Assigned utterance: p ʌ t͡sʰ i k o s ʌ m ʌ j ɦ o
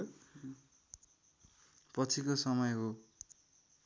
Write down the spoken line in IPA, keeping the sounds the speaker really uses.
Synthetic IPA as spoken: p ʌ t͡sʰ i k o s ʌ m ʌ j ɦ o